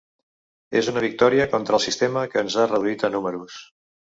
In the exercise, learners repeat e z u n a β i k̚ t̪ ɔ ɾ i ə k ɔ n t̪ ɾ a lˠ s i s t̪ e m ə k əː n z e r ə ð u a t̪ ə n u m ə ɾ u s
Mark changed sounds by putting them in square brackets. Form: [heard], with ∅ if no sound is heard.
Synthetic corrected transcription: e z u n [ə] β i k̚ t̪ ɔ ɾ i ə k ɔ n t̪ ɾ [ə] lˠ s i s t̪ e m ə k əː n z [a] r ə ð u [i] t̪ ə n u m ə ɾ u s